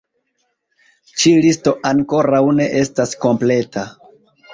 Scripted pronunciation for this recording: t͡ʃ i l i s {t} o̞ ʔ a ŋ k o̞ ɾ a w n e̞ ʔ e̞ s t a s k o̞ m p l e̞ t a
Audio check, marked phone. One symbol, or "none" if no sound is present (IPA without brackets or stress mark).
t